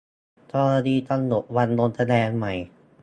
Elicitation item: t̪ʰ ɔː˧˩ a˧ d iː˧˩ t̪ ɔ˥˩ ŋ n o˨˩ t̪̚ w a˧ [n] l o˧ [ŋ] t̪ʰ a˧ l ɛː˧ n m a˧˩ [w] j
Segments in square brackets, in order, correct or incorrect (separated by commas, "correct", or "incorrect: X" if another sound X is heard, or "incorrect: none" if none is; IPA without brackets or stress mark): correct, incorrect: n, incorrect: none